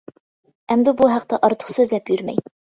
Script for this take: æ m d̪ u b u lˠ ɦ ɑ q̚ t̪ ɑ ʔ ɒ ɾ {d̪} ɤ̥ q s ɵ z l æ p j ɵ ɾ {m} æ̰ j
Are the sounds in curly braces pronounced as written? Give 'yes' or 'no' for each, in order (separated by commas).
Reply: no, yes